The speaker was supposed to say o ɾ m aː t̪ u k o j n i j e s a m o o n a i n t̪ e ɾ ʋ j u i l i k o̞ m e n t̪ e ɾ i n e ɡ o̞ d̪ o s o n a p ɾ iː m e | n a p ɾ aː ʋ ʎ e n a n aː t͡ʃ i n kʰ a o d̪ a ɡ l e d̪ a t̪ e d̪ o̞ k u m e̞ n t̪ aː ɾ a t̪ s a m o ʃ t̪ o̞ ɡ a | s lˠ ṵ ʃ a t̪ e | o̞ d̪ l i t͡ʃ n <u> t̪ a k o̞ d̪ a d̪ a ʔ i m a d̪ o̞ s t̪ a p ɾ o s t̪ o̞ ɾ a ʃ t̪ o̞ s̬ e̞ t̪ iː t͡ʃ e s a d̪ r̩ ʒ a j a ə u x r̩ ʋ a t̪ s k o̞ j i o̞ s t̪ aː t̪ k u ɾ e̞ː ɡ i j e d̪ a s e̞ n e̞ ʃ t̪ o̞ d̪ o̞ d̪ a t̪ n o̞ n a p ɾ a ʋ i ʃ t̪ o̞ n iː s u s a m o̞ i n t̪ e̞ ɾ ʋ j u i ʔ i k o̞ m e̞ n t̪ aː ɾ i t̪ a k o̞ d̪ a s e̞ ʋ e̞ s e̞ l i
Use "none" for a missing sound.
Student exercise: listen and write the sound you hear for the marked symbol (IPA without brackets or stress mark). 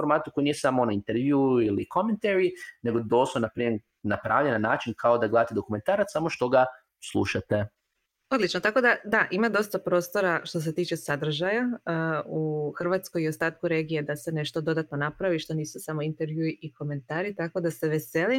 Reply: o